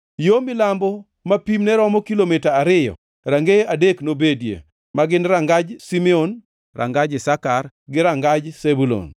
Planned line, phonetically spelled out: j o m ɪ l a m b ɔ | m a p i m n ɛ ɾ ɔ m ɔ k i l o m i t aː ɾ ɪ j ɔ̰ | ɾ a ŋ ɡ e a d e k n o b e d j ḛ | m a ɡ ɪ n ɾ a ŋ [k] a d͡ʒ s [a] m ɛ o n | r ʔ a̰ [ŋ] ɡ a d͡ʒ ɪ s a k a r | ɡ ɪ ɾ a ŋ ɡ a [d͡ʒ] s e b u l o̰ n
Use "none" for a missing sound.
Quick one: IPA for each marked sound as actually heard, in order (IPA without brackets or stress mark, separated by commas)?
ɡ, i, ŋ, d͡ʒ